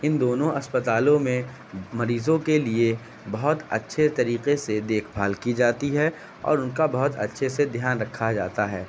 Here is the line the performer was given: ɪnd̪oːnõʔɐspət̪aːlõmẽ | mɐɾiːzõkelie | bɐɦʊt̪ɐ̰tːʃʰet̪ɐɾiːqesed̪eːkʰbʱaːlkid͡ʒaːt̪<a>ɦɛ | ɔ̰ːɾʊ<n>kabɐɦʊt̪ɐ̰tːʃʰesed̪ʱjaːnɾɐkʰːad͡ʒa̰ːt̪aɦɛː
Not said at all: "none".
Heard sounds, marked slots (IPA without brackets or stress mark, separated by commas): i, n